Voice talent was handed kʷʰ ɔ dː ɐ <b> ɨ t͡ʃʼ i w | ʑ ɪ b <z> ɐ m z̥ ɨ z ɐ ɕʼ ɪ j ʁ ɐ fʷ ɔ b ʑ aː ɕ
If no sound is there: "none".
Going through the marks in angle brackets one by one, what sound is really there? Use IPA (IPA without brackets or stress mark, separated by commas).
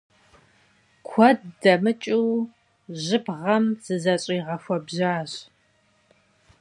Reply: m, ʁ